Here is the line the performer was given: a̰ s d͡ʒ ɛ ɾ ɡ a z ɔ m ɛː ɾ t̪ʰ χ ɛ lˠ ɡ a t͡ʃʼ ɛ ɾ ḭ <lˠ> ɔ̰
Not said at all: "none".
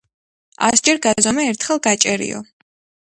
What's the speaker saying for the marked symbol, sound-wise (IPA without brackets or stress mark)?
none